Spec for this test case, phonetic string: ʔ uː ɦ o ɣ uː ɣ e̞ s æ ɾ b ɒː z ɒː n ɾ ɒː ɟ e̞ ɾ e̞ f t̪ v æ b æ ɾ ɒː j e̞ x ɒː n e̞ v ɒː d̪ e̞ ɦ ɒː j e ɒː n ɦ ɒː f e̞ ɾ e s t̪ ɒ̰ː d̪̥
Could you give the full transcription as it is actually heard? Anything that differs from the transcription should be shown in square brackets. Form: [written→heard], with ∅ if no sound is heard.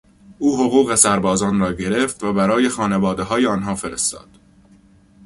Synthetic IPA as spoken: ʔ uː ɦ o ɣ uː ɣ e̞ s æ ɾ b ɒː z ɒː n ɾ ɒː ɟ e̞ ɾ e̞ f t̪ v æ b æ ɾ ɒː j e̞ x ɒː n e̞ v ɒː d̪ e̞ ɦ ɒː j e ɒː n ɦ ɒː f e̞ ɾ e s t̪ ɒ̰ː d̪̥